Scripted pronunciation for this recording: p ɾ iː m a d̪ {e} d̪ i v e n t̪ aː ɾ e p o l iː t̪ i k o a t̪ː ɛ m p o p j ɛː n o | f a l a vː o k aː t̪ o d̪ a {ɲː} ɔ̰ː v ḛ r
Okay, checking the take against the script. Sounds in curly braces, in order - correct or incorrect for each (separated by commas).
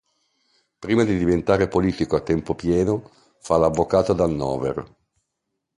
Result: incorrect, incorrect